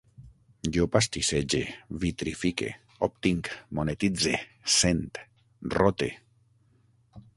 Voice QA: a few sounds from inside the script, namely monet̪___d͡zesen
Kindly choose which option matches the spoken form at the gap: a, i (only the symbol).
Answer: i